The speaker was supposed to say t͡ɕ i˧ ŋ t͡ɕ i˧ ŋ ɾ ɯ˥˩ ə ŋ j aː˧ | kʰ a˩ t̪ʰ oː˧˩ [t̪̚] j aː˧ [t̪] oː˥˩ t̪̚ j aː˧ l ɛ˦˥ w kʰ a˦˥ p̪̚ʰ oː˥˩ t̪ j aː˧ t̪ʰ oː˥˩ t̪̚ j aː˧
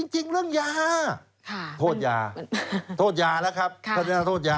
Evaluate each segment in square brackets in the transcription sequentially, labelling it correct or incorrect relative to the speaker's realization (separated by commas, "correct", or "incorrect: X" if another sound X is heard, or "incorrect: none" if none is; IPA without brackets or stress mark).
correct, incorrect: t̪ʰ